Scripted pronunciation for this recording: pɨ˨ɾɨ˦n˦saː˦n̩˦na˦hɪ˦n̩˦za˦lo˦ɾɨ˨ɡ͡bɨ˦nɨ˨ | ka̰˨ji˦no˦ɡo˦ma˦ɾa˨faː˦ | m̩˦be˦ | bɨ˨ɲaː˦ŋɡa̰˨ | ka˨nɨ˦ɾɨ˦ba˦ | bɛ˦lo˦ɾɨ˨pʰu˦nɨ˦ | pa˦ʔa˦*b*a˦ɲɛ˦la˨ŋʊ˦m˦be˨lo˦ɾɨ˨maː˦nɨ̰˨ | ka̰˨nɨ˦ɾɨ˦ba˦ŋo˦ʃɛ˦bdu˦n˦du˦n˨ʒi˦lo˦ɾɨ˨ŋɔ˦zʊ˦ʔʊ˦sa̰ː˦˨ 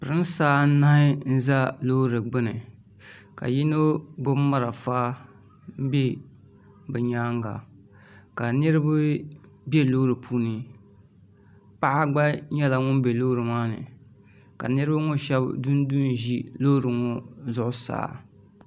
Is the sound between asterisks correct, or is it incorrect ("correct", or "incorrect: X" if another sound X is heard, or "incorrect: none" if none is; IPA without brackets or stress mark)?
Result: incorrect: ɡ͡b